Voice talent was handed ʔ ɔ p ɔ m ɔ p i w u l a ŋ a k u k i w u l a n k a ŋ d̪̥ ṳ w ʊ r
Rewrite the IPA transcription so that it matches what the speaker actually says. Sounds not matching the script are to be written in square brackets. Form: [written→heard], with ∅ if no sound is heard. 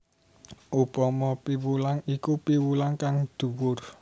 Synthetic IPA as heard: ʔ [ɔ→u] p ɔ m ɔ p i w u l a ŋ [a→i] k u [k→p] i w u l a [n→ŋ] k a ŋ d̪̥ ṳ w ʊ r